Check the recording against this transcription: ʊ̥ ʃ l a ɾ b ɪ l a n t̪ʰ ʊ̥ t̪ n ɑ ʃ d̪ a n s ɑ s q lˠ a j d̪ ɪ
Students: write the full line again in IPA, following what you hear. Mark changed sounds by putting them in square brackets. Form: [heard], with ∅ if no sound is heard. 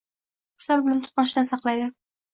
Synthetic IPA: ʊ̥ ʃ l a ɾ b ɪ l a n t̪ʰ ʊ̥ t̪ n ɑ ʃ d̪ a n s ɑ [∅] q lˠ a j d̪ ɪ